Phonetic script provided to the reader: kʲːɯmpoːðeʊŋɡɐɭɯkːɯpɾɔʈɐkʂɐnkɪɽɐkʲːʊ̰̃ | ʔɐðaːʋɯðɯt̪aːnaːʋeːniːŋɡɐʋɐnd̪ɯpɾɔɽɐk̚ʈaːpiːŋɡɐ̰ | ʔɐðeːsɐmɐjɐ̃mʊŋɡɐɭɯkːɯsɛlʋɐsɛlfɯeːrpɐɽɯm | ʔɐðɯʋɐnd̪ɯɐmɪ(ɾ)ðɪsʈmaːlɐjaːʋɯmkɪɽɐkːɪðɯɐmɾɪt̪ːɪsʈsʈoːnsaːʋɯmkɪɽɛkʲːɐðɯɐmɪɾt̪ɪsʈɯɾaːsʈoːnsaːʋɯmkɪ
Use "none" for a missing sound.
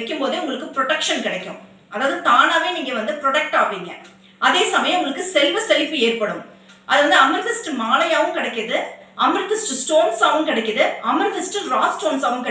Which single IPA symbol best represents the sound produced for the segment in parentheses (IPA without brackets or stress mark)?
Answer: ɾ